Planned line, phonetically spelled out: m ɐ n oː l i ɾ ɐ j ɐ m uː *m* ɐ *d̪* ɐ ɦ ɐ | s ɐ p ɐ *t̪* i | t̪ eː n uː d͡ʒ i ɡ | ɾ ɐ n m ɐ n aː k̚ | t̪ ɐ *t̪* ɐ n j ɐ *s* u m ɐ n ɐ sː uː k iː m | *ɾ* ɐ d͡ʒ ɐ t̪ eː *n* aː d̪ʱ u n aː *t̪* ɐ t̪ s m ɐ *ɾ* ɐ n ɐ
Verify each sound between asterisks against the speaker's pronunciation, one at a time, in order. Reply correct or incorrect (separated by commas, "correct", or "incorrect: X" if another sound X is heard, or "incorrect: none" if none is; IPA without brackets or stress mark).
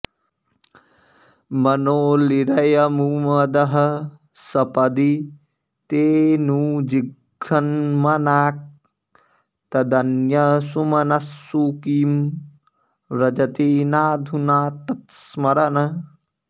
correct, correct, incorrect: d̪, incorrect: d̪, correct, correct, correct, correct, correct